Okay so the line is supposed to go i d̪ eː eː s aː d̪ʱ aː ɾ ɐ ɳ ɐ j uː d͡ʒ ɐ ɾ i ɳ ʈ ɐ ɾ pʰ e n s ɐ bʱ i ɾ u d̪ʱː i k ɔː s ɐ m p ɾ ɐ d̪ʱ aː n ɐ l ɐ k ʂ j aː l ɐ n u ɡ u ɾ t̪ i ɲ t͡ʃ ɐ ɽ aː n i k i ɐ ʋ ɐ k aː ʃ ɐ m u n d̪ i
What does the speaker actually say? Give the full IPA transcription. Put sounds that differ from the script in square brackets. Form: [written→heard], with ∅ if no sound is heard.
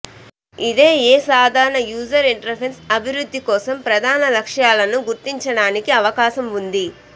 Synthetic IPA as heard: i d̪ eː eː s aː d̪ʱ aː ɾ ɐ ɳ ɐ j uː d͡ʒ ɐ ɾ i ɳ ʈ ɐ ɾ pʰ e n s ɐ bʱ i ɾ u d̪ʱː i k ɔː s ɐ m p ɾ ɐ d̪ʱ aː n ɐ l ɐ k ʂ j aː l ɐ n u ɡ u ɾ t̪ i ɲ t͡ʃ ɐ ɽ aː n i k i ɐ ʋ ɐ k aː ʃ ɐ m u n d̪ i